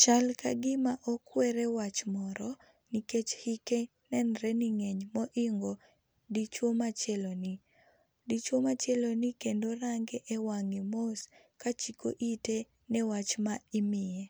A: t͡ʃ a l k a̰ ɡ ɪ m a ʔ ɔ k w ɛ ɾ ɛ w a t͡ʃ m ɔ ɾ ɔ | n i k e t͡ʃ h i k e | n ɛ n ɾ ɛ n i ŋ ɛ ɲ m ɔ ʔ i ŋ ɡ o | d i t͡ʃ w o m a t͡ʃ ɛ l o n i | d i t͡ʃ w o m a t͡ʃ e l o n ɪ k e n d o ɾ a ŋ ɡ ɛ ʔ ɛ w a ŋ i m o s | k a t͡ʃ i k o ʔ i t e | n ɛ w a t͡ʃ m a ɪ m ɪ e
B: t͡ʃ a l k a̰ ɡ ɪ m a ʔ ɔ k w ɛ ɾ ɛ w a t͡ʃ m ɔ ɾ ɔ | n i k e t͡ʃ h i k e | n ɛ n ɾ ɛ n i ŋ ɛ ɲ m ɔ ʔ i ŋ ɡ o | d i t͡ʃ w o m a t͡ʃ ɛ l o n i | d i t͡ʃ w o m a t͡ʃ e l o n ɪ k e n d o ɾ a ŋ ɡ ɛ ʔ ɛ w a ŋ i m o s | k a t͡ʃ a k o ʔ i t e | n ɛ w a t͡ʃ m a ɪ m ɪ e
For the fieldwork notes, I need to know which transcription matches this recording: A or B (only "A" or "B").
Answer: A